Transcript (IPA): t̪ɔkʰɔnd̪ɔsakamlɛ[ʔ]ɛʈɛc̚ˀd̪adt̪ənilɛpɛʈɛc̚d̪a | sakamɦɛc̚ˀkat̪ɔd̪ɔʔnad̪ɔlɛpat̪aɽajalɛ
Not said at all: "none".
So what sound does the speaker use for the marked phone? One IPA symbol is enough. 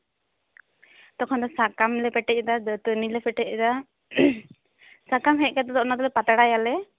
p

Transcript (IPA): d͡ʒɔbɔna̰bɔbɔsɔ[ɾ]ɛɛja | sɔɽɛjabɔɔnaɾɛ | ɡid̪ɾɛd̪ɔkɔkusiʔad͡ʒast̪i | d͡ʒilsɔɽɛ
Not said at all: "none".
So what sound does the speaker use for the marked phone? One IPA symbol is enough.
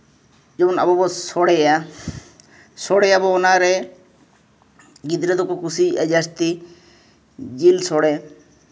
ɽ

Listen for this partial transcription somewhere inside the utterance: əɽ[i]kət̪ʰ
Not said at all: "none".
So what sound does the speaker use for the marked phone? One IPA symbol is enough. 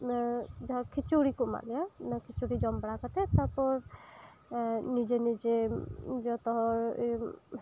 a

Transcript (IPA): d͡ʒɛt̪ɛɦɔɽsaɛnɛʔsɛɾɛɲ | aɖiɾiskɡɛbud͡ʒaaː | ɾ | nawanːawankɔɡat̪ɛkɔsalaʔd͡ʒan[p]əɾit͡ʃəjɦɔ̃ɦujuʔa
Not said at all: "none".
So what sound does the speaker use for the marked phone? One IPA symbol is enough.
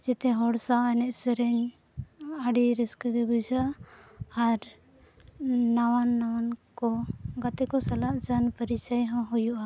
p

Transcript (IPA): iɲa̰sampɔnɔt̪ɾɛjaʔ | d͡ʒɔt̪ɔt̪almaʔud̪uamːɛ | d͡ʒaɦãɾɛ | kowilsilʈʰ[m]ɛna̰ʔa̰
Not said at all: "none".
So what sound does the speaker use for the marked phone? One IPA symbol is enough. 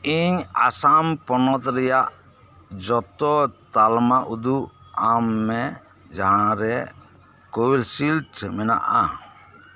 m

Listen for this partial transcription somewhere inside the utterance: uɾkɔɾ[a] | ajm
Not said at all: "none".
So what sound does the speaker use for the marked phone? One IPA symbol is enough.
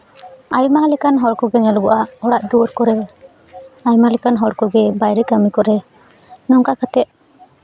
ɛ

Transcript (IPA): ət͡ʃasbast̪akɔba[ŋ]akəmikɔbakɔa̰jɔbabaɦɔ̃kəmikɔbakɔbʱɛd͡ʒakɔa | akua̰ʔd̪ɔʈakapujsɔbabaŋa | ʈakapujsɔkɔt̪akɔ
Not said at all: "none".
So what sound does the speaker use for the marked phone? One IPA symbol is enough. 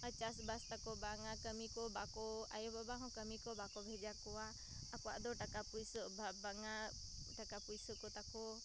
ŋ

